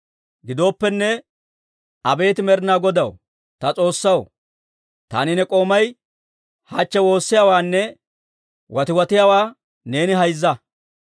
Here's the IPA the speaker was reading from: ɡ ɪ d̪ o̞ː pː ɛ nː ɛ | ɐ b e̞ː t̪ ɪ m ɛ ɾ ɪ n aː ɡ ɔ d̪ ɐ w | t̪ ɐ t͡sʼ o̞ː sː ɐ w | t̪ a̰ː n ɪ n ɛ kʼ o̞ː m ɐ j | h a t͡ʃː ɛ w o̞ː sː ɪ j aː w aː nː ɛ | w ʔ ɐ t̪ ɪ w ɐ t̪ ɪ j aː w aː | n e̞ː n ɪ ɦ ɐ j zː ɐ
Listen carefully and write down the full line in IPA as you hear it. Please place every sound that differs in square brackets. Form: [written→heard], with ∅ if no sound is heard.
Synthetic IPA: ɡ ɪ d̪ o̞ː pː ɛ nː ɛ | ɐ b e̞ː t̪ ɪ m ɛ ɾ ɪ n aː ɡ ɔ d̪ ɐ w | t̪ ɐ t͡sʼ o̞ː sː ɐ w | t̪ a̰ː n ɪ n ɛ kʼ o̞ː m ɐ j | h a t͡ʃː ɛ w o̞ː sː ɪ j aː w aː nː ɛ | w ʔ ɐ t̪ ɪ w ɐ t̪ ɪ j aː w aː | n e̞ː n ɪ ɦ ɐ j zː ɐ